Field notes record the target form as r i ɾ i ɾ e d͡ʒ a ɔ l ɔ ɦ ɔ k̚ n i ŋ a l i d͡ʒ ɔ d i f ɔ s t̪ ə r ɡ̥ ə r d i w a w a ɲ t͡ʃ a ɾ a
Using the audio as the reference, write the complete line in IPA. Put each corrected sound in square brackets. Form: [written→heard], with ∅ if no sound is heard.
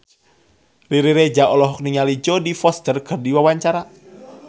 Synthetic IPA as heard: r i ɾ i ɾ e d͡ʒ a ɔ l ɔ ɦ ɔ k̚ n i ŋ a l i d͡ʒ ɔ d i f ɔ s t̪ ə r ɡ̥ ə r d i w a w a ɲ t͡ʃ a ɾ a